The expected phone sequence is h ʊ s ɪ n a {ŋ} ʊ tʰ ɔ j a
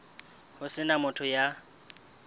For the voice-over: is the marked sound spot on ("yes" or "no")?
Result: no